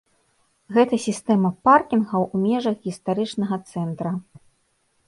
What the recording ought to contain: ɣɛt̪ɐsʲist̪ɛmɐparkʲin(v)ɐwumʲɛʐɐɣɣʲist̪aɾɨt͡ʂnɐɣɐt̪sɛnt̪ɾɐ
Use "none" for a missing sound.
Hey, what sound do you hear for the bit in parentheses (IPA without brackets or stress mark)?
ɣ